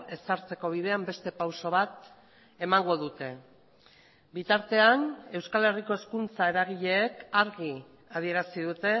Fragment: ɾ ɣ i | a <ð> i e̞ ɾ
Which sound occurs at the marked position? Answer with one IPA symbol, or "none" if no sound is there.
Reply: ð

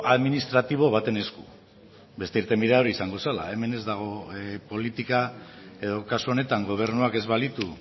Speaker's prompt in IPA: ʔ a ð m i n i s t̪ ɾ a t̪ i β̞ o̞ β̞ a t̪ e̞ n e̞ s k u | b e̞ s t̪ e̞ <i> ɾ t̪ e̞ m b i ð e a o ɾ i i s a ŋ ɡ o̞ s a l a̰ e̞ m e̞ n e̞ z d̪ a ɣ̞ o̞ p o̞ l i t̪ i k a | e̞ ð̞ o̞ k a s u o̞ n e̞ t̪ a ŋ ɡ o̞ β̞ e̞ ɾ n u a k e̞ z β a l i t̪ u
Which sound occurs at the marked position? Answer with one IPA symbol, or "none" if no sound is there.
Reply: i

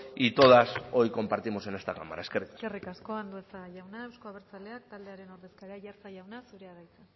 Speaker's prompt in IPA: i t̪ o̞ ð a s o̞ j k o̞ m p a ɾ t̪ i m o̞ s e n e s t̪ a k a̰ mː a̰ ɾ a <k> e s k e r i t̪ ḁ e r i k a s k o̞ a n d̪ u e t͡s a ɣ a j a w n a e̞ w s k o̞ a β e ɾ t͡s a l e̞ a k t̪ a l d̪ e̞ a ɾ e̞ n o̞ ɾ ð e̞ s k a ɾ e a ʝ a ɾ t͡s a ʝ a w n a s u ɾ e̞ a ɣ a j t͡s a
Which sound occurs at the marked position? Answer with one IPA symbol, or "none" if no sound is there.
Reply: none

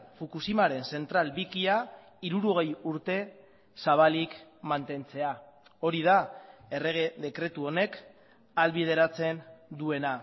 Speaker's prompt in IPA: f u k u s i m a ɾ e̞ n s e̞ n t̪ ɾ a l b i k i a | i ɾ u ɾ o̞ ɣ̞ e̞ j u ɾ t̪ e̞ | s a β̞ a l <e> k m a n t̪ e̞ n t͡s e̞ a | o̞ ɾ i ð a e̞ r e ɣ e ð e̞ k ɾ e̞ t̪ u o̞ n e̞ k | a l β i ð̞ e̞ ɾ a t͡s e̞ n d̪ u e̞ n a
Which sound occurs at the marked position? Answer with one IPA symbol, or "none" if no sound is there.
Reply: i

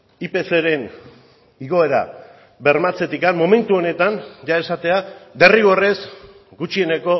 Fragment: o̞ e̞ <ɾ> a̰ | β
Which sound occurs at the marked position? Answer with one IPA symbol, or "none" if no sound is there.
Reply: ɾ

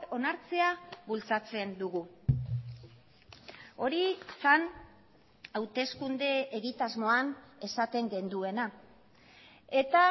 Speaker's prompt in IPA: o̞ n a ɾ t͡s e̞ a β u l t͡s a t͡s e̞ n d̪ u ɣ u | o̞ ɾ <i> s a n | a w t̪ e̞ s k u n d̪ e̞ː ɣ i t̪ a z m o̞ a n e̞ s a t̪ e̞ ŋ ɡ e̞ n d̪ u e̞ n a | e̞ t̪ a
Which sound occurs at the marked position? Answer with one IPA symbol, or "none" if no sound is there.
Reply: i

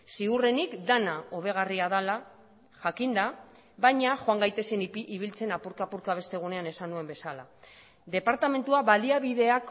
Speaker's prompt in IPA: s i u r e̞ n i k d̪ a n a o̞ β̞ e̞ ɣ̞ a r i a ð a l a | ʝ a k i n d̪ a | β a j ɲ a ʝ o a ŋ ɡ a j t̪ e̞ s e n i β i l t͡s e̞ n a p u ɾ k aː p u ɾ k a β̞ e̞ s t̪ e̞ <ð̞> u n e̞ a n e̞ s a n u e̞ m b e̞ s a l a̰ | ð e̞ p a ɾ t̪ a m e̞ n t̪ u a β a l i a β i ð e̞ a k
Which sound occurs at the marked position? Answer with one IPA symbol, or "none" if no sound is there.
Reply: ɣ̞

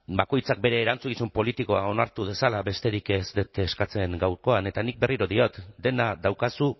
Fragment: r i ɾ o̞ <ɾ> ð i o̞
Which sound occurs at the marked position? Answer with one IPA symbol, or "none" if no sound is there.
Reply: none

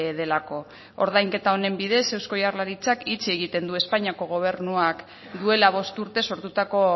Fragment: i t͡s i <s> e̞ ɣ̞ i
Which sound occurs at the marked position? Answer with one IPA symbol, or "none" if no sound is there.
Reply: none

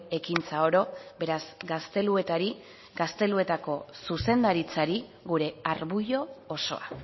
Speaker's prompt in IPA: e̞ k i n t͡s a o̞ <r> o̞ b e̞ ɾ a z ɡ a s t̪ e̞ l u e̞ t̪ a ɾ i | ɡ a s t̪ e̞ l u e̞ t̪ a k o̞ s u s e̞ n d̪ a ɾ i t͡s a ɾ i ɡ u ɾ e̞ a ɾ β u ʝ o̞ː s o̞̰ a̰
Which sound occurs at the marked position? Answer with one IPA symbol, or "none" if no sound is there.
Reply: ɾ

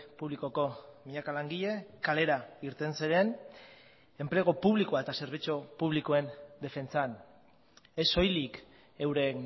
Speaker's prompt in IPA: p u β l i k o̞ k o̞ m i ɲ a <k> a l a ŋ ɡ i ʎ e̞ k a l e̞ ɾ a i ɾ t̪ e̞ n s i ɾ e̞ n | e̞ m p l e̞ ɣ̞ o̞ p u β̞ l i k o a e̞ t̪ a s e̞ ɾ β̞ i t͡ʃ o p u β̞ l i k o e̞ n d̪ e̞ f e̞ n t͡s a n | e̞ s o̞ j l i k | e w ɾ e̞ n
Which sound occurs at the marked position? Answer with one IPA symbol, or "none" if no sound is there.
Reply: k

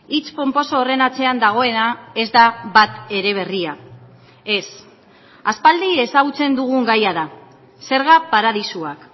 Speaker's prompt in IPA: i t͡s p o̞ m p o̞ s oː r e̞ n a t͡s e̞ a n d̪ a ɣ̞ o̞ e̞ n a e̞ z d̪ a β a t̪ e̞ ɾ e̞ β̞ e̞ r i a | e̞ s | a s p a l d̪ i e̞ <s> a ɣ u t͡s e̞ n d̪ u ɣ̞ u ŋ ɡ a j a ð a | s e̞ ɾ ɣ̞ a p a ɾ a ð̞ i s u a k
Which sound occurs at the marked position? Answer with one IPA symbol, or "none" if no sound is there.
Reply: s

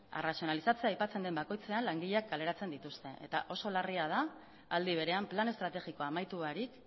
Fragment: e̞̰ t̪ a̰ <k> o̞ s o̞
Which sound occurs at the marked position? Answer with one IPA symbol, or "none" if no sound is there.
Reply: ʔ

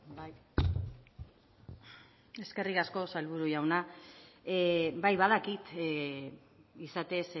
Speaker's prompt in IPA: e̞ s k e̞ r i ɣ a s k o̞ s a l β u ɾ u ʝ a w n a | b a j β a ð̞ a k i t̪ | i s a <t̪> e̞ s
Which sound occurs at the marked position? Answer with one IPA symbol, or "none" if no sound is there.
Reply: t̪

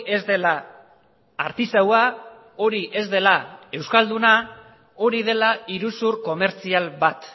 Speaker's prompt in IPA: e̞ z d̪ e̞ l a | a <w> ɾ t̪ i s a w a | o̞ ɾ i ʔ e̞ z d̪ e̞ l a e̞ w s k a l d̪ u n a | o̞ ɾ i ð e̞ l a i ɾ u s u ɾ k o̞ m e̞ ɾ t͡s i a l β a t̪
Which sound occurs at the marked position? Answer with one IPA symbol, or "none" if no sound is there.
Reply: none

